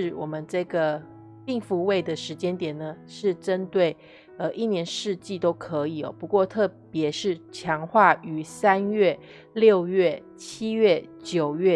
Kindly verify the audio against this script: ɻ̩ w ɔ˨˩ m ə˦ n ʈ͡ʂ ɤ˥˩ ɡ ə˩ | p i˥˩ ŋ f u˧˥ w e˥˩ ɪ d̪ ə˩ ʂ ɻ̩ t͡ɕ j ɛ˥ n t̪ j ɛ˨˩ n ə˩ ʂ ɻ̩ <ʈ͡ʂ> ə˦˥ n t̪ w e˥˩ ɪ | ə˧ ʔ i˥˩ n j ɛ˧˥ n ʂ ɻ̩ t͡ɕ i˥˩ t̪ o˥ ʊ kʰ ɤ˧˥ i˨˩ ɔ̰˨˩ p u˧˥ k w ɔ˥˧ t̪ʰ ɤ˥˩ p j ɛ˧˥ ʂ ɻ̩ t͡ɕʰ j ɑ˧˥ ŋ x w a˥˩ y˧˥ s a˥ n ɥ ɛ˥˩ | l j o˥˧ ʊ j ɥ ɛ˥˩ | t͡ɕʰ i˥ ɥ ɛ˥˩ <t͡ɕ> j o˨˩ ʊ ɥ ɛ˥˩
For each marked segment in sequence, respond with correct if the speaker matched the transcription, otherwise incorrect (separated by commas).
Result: correct, correct